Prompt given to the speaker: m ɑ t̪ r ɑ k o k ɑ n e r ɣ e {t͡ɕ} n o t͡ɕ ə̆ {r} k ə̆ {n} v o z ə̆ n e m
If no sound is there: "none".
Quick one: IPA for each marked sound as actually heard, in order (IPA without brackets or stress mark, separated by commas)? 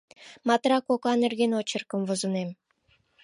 none, r, m